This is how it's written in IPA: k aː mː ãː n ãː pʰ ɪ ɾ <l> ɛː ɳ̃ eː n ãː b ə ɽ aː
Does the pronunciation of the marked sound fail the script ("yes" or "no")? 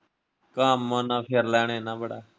no